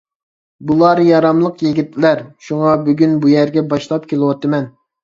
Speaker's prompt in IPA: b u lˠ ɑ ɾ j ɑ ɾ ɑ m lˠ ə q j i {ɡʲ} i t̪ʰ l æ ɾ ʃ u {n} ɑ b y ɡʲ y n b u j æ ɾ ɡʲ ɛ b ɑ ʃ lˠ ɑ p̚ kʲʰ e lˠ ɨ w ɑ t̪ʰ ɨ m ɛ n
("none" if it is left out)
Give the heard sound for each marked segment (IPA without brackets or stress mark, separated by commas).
ɡʲ, ŋ